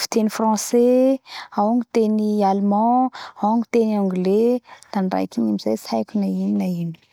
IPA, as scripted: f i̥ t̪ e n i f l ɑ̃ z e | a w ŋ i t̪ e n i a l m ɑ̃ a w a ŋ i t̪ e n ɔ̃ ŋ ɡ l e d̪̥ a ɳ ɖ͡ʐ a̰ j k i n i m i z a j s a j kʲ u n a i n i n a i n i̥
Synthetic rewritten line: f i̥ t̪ e n i f r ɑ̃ s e | a w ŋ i t̪ e n i a l m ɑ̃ a w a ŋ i t̪ e n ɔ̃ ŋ ɡ l e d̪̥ a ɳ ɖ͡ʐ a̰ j k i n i m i z a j s a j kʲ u n a i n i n a i n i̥